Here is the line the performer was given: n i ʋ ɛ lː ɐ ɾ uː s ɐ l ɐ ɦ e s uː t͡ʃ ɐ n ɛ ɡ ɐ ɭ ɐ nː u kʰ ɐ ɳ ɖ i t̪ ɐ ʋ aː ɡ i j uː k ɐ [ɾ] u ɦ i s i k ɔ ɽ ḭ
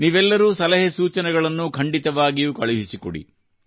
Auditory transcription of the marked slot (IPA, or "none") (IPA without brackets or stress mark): ɭ